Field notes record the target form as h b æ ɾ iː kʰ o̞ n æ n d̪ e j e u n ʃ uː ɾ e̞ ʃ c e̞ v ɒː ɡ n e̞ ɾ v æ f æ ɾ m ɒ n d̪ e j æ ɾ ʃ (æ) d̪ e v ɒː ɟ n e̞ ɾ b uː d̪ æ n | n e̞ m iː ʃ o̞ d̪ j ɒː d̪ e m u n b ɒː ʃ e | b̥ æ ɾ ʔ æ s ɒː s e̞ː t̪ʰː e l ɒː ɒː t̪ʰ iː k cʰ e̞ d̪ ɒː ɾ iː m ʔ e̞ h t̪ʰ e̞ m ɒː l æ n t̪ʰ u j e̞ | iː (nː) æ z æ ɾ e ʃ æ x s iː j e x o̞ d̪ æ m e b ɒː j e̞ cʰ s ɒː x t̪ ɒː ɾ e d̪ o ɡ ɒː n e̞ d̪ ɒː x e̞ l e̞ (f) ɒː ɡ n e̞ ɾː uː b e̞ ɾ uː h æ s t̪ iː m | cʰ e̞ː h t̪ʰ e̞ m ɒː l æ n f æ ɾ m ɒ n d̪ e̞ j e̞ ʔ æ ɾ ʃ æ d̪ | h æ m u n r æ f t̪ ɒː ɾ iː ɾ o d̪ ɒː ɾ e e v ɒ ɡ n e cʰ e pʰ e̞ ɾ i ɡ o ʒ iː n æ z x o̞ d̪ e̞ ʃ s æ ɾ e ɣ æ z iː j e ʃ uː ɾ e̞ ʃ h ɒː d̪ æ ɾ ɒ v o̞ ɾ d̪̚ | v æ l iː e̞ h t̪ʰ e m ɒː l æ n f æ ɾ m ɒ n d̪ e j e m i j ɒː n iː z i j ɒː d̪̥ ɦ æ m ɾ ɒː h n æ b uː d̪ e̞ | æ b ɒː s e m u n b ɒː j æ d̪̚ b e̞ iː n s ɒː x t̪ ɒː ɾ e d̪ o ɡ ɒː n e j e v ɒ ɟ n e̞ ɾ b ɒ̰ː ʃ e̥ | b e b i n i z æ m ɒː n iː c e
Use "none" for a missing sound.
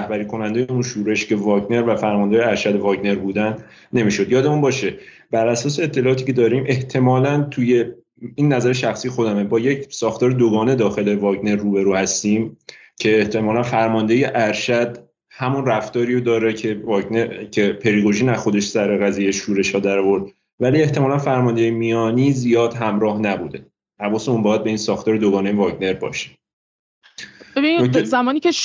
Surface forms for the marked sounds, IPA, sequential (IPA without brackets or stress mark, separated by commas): æ, nː, v